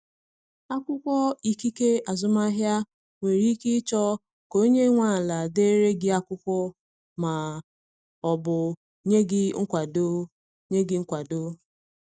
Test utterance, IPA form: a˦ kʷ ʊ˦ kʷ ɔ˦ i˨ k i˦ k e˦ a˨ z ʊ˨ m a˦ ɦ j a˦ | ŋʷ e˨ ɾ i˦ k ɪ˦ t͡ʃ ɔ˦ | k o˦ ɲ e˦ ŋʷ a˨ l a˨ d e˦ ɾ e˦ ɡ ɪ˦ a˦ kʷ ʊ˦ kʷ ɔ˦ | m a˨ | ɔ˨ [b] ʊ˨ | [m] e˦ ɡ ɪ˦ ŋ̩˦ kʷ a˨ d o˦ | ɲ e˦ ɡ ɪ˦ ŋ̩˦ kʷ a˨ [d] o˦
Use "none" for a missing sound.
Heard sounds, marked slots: b, ɲ, d

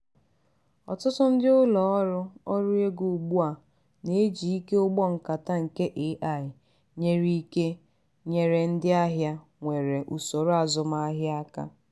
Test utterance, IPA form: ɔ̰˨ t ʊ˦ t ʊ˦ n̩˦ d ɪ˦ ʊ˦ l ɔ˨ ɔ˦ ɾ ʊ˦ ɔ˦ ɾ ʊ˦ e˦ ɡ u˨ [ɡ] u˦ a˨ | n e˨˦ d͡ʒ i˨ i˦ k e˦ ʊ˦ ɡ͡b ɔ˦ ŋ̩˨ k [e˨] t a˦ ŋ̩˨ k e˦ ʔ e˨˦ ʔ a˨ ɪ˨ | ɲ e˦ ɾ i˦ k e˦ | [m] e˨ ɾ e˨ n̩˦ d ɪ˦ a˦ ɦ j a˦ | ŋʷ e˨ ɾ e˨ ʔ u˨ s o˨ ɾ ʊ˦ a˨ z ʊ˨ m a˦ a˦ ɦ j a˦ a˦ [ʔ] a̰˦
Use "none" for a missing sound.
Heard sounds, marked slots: ɡ͡b, a˨, ɲ, k

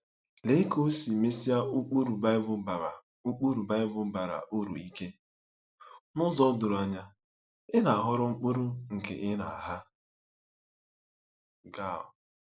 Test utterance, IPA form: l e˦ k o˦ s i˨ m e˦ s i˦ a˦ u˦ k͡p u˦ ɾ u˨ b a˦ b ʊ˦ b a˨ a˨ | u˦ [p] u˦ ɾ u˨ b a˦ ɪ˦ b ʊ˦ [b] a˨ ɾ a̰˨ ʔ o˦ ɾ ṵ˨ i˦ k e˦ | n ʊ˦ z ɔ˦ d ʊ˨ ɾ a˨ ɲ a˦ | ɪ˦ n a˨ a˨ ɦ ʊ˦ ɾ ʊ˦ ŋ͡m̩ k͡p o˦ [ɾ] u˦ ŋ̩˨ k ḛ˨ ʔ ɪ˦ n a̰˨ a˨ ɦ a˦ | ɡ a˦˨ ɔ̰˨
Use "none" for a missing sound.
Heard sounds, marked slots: k͡p, b, ɾ

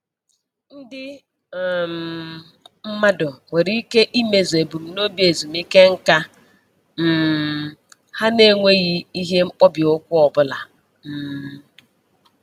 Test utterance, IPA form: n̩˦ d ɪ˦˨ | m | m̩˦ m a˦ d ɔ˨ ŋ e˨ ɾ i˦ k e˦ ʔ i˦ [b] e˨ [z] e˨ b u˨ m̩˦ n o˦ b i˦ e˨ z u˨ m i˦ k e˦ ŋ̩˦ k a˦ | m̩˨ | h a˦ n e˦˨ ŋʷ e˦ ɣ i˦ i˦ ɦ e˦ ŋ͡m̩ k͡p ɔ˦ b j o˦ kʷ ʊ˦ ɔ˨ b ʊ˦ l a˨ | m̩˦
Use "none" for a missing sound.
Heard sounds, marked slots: m, z

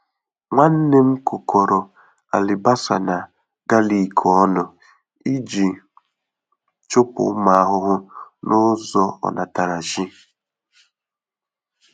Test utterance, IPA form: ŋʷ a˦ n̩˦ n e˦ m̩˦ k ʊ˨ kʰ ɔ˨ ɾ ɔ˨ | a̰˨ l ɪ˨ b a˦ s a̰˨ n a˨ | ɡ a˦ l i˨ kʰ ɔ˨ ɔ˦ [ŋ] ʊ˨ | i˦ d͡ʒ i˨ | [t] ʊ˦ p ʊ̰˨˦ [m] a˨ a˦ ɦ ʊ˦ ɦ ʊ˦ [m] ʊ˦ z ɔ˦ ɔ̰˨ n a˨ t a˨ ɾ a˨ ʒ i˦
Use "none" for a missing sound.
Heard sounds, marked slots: n, t͡ʃ, m, n

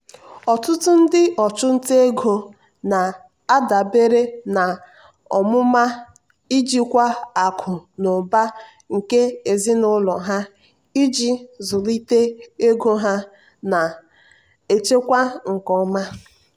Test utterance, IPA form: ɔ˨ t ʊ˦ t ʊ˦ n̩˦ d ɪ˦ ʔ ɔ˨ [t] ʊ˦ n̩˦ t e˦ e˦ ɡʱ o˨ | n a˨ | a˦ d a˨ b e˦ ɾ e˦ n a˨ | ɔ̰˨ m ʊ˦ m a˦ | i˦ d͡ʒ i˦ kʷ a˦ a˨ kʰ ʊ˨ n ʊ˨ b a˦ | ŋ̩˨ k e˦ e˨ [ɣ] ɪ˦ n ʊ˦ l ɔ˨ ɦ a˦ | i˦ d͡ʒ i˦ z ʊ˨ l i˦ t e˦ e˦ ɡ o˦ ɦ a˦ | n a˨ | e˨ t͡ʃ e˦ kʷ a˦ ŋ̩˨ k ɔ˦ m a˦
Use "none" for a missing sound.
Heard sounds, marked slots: t͡ʃ, z

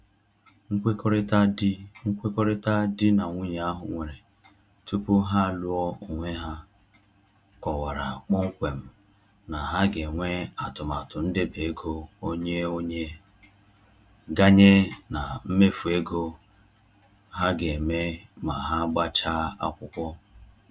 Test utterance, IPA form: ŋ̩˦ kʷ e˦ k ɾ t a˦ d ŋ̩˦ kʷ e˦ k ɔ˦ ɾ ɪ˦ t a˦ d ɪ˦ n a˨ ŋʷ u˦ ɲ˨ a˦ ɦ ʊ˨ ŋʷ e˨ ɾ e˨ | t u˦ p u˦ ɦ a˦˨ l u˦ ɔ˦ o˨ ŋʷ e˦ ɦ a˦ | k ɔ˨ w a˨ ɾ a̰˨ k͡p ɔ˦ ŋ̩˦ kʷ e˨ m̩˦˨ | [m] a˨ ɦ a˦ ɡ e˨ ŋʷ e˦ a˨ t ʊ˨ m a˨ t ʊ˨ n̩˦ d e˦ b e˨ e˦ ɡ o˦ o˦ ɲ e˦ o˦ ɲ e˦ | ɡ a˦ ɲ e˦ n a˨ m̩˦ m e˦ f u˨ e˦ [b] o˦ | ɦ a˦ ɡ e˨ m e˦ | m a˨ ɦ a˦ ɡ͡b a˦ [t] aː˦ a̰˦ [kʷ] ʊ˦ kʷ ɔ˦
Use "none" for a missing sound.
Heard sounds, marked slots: n, ɡ, t͡ʃ, kʷ

